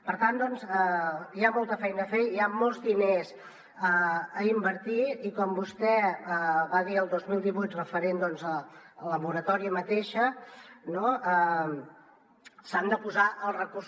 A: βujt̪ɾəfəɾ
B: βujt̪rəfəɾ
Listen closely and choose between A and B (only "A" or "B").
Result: B